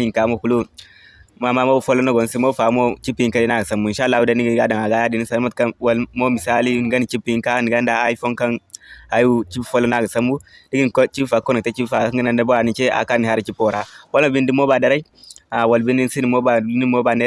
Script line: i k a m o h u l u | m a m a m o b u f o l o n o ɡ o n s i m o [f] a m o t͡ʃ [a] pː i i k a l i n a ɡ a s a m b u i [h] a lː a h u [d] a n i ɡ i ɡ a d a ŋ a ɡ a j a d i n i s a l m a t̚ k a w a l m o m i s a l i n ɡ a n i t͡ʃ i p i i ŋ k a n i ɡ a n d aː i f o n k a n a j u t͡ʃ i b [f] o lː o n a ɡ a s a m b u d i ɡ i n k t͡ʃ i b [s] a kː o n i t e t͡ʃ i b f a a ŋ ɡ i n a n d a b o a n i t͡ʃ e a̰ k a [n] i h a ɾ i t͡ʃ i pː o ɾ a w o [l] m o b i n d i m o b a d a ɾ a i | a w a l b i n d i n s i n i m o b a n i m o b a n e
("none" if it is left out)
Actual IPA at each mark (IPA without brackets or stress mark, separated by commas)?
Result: f, i, ʃ, d, f, f, n, l